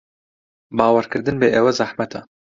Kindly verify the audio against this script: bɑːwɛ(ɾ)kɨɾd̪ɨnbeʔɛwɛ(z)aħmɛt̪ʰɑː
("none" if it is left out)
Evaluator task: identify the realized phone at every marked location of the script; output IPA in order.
ɾ, z

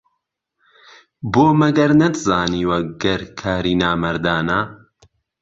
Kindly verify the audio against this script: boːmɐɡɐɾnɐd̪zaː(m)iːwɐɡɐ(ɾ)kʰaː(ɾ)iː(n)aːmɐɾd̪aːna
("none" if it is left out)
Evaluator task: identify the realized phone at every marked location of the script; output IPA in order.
n, ɾ, ɾ, n

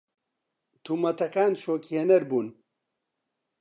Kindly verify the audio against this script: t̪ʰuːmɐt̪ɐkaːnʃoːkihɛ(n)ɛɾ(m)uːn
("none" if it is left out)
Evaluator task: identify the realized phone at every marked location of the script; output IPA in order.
n, b

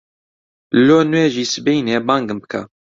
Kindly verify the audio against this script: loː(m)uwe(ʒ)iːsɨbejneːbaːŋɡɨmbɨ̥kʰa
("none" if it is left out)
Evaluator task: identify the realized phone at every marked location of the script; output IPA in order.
n, ʒ

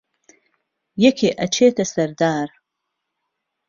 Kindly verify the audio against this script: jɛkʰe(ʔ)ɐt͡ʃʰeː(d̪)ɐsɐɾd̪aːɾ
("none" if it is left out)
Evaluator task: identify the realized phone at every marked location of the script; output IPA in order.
ʔ, t̪

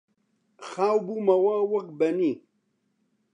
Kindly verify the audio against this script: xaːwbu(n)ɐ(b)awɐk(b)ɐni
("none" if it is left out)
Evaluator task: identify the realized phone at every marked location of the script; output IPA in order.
m, w, b

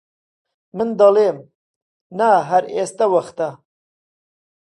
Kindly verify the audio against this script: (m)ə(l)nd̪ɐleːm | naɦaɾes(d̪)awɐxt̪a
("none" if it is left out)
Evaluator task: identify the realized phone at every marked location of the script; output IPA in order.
m, none, t̪

